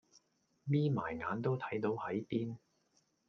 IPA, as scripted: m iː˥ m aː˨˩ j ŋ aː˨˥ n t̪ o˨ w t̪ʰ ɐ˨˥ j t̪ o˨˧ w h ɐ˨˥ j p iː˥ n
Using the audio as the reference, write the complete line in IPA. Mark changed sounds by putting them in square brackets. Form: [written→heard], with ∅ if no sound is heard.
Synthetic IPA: m iː˥ m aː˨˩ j ŋ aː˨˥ n t̪ [o˨→o˥] w t̪ʰ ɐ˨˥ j t̪ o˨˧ w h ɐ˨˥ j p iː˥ n